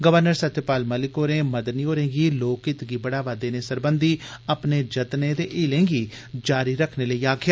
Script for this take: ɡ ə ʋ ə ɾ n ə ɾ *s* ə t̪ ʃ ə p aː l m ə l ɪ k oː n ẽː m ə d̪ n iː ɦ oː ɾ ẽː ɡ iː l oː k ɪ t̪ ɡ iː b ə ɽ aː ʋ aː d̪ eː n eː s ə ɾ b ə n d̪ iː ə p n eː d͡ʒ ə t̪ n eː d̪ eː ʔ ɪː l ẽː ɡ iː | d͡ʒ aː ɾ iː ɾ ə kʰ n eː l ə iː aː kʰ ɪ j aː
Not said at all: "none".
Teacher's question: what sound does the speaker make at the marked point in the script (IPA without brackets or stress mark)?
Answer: s